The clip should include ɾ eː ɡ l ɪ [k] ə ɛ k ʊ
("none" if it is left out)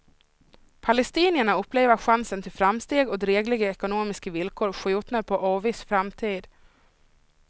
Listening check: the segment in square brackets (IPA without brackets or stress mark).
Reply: ɡ